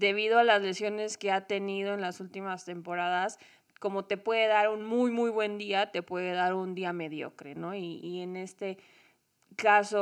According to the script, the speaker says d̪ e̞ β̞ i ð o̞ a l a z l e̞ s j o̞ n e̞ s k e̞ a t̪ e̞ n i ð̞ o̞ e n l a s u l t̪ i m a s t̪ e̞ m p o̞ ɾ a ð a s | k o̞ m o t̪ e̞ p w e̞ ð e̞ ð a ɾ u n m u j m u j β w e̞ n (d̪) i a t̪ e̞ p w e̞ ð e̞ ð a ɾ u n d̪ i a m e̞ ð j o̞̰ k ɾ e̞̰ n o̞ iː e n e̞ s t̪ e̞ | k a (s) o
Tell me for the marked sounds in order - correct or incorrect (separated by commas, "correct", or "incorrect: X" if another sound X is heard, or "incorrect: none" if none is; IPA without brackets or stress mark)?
correct, correct